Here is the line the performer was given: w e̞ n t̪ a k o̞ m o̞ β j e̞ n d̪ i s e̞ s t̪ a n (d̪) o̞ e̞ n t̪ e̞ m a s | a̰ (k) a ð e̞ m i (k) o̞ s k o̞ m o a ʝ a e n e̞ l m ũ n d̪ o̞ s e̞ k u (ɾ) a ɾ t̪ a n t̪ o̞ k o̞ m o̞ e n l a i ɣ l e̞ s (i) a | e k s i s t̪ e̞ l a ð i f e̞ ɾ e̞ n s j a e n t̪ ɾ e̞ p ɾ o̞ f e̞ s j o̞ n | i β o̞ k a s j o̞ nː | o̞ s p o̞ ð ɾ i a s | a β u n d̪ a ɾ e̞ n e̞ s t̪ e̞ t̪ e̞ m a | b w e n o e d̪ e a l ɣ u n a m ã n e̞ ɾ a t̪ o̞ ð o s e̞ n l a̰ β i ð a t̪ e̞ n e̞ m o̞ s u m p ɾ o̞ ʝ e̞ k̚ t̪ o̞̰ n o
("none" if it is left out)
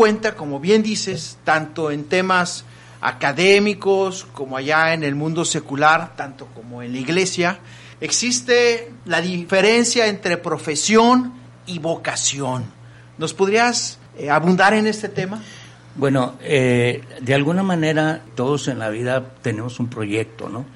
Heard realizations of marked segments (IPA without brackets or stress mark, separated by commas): t̪, k, k, l, j